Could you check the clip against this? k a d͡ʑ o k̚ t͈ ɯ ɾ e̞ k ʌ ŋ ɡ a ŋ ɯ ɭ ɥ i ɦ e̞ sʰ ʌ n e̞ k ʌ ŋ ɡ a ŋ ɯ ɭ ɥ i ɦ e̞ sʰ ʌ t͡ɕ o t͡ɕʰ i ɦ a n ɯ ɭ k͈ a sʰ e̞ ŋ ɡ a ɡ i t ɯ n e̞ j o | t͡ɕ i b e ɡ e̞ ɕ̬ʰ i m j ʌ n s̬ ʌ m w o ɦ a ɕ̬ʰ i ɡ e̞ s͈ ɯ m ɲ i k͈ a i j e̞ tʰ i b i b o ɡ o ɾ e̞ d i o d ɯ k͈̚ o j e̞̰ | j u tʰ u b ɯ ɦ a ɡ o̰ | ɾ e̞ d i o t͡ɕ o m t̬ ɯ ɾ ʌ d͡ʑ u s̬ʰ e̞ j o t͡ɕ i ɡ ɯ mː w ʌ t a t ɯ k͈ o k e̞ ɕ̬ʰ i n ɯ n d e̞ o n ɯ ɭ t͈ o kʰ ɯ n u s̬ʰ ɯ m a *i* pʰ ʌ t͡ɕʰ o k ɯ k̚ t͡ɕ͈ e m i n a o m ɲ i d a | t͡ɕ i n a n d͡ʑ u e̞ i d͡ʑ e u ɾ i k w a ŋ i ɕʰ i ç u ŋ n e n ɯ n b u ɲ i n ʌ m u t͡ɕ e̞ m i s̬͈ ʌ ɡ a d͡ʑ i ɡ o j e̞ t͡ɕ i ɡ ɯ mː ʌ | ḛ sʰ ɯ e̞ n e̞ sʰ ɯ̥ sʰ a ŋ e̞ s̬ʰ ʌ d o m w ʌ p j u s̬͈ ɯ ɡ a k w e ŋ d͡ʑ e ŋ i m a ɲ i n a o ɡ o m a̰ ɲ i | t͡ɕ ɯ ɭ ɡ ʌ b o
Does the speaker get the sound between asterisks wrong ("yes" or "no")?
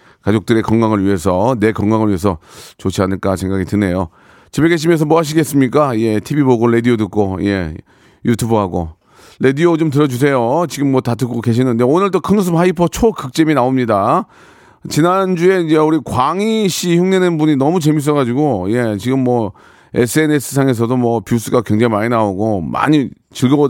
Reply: no